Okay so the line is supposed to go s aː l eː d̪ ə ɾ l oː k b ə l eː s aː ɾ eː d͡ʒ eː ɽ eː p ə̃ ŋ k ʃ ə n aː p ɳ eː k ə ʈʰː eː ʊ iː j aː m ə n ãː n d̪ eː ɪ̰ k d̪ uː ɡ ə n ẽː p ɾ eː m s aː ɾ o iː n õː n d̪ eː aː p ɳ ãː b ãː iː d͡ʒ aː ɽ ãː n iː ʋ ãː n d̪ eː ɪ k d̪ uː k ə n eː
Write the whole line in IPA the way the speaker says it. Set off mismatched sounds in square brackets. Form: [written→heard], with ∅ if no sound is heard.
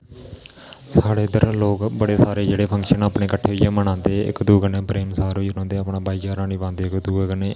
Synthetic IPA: s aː [l→ɽ] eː d̪ ə ɾ l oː k b ə [l→ɽ] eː s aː ɾ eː d͡ʒ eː ɽ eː [p→pʰ] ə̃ ŋ k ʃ ə n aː p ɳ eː k ə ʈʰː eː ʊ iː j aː m ə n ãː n d̪ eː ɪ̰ k d̪ uː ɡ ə n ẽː p ɾ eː m s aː ɾ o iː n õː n d̪ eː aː p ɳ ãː b [ãː→aː] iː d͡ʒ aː [ɽ→ɾ] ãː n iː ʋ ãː n d̪ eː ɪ k d̪ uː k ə n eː